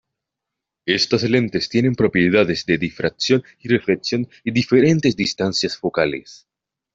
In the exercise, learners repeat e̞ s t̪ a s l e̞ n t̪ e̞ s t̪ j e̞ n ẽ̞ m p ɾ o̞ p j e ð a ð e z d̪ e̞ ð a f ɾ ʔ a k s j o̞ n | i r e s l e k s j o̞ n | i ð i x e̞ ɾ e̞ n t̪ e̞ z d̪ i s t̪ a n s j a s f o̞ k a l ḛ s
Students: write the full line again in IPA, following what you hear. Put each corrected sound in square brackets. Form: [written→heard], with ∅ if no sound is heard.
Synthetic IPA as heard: e̞ s t̪ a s l e̞ n t̪ e̞ s t̪ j e̞ n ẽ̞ m p ɾ o̞ p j e ð a ð e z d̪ e̞ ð [a→i] f ɾ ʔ a k s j o̞ n | i r e [s→f] l e k s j o̞ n | i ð i [x→f] e̞ ɾ e̞ n t̪ e̞ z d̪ i s t̪ a n s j a s f o̞ k a l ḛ s